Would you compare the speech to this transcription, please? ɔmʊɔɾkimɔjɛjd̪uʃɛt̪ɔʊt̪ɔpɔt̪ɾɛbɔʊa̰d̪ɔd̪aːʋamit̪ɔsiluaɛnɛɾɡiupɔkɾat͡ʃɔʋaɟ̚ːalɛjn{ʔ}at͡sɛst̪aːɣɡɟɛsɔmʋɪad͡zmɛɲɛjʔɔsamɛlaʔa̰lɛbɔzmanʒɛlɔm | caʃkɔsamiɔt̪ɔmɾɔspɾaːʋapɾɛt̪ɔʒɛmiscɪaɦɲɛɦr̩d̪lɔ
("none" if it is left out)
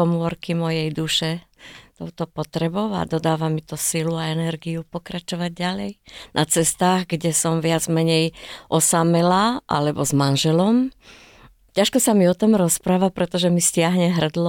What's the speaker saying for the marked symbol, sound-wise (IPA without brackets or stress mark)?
ʔ